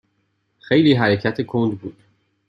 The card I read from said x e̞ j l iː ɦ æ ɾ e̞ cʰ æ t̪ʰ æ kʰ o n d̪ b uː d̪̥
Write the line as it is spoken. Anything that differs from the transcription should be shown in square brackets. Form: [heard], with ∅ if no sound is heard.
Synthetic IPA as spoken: x e̞ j l iː ɦ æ ɾ e̞ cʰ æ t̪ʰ [e] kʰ o n d̪ b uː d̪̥